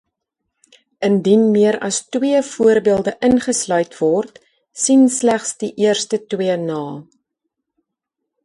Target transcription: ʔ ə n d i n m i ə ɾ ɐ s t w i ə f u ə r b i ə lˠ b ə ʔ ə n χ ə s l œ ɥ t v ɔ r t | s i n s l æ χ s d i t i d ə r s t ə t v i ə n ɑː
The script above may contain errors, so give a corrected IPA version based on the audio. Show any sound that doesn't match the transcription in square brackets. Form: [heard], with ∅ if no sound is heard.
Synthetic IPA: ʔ ə n d i n m i ə ɾ ɐ s t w i ə f u ə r b i ə lˠ [d] ə ʔ ə n χ ə s l œ ɥ t v ɔ r t | s i n s l æ χ s d i [ʔ] i [∅] ə r s t ə t [w] i ə n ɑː

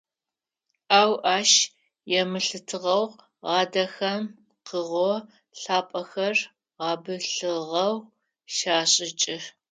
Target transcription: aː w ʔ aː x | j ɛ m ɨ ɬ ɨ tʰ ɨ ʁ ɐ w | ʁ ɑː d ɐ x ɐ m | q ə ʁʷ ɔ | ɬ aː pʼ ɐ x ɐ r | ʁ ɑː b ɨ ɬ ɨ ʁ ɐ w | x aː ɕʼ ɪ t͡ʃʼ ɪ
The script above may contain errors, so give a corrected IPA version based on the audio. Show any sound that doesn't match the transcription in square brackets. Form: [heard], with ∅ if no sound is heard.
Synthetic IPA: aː w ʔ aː [ʃ] | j ɛ m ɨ ɬ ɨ tʰ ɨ ʁ ɐ w | ʁ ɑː d ɐ x ɐ m | q ə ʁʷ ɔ | ɬ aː pʼ ɐ x ɐ r | ʁ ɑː b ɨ ɬ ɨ ʁ ɐ w | [ʃ] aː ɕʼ ɪ t͡ʃʼ ɪ

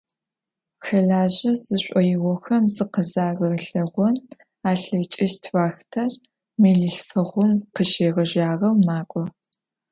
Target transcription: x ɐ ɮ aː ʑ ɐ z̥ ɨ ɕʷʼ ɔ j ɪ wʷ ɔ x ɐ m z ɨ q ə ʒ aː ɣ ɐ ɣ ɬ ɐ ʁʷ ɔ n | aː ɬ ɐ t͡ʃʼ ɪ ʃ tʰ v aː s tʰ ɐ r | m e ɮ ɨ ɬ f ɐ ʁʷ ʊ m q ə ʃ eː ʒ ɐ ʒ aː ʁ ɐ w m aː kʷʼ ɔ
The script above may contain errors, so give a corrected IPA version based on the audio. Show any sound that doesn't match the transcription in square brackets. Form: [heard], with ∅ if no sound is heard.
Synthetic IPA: x ɐ ɮ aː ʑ ɐ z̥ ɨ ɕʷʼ ɔ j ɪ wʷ ɔ x ɐ m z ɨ q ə [z] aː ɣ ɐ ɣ ɬ ɐ ʁʷ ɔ n | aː ɬ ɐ t͡ʃʼ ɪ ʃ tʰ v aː [x] tʰ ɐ r | m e ɮ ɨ ɬ f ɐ ʁʷ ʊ m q ə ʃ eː [ʁ] ɐ ʒ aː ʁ ɐ w m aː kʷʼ ɔ

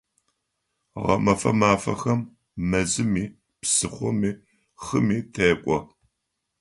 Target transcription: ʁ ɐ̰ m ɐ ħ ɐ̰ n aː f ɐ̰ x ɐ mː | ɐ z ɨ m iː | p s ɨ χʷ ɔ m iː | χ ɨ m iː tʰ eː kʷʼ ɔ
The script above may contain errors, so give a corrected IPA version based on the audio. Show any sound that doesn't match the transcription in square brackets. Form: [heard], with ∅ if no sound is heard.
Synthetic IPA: ʁ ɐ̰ m ɐ [f] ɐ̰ [m] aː f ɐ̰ x ɐ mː | ɐ z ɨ m iː | p s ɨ χʷ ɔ m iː | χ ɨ m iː tʰ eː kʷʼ ɔ

